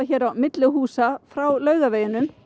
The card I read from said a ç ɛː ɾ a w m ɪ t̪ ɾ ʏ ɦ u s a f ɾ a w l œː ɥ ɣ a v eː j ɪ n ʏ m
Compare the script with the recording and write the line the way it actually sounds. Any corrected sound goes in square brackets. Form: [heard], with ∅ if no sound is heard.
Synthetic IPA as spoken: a ç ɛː ɾ a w m ɪ t̪ [l] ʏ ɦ [uː] s a f ɾ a w l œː ɥ ɣ a v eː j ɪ n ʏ m